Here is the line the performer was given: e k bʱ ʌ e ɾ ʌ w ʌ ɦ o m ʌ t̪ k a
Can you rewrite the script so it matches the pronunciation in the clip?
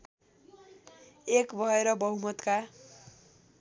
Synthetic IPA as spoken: e k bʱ ʌ e ɾ ʌ b ʌ ɦ u m ʌ t̪ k a

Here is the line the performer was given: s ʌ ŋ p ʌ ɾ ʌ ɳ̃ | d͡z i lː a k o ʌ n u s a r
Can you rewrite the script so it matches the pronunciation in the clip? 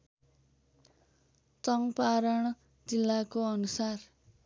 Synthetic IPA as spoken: t͡s ʌ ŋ p a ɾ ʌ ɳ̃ | d͡z i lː a k o ʌ n u s a r

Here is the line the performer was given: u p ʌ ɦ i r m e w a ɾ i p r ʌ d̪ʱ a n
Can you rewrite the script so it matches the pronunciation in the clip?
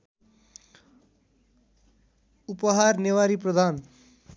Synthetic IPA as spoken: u p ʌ ɦ a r n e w a ɾ i p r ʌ d̪ʱ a n

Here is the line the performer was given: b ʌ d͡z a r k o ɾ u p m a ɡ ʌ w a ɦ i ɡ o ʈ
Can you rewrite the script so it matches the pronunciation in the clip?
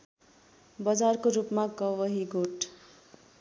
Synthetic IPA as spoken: b ʌ d͡z a r k o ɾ u p m a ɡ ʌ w ʌ ɦ i ɡ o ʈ

